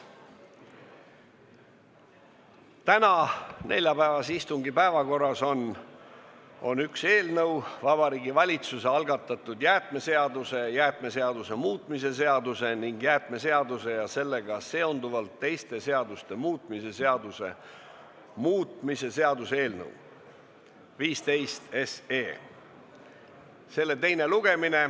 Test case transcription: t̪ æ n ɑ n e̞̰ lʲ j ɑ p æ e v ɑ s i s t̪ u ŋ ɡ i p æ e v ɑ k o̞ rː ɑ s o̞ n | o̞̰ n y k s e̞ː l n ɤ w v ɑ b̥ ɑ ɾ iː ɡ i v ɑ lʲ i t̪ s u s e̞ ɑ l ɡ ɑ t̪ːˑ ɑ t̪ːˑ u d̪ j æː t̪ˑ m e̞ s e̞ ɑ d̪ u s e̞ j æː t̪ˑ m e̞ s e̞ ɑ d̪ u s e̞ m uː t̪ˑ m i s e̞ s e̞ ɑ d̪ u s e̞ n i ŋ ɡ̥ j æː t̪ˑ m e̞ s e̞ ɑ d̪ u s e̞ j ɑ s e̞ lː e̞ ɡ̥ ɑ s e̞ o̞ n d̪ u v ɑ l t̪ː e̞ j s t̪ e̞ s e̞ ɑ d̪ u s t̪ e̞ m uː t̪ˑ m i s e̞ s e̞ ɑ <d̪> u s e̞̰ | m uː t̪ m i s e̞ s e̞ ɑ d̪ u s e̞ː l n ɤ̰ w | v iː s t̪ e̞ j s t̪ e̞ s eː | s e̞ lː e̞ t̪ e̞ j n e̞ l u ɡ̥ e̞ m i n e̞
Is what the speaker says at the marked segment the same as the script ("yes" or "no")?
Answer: yes